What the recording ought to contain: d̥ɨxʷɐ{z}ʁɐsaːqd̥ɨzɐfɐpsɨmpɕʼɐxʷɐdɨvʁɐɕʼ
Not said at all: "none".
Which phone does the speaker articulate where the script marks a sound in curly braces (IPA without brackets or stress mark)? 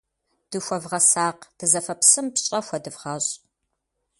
v